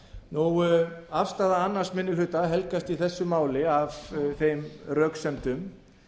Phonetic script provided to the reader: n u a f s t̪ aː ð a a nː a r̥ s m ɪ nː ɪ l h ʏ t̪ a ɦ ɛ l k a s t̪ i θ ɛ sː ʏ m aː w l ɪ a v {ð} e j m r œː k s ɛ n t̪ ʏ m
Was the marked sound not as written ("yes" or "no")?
yes